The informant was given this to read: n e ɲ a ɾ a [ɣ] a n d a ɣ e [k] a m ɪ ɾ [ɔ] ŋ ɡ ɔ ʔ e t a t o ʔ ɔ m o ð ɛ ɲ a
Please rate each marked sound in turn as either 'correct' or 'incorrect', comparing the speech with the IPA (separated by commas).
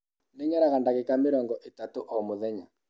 correct, correct, correct